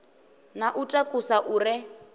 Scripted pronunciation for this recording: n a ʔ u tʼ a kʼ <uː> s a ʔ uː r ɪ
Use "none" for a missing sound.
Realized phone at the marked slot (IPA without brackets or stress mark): u